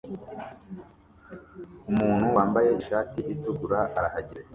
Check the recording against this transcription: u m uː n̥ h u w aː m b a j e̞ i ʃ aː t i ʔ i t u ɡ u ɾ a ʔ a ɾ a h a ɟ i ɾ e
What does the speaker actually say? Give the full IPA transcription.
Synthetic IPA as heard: u m uː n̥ h u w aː m b a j e̞ i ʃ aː t i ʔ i t u ɡ u ɾ a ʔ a ɾ a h a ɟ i ɾ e